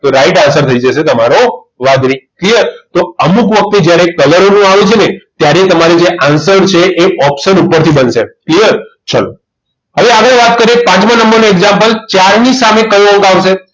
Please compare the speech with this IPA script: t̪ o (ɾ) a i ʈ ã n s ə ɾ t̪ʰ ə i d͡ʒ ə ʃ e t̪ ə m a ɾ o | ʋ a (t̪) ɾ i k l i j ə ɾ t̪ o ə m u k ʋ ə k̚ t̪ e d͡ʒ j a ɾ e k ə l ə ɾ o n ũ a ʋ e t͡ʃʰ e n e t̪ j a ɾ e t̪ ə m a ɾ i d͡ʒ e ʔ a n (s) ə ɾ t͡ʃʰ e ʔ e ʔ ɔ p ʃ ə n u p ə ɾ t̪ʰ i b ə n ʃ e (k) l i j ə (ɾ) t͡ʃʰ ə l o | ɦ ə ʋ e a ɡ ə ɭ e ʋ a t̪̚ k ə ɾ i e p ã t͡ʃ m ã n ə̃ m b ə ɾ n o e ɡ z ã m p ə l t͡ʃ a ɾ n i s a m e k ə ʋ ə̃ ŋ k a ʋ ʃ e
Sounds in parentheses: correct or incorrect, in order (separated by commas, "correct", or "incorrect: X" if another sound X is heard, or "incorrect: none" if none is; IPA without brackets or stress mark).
correct, incorrect: d̪, correct, correct, correct